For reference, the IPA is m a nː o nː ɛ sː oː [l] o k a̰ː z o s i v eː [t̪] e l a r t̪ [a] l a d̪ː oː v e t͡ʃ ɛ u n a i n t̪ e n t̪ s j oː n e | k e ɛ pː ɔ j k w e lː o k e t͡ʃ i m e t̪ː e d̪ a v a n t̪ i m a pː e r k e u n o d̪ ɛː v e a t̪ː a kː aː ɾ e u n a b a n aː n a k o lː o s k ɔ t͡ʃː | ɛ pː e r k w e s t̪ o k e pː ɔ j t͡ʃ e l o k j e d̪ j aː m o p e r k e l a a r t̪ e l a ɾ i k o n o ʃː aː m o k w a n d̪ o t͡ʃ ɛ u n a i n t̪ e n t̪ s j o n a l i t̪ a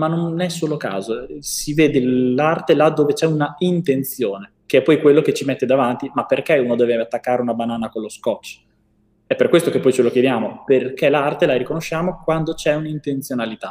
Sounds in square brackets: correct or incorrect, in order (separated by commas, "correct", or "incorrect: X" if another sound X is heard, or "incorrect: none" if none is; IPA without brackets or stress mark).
correct, incorrect: d̪, incorrect: e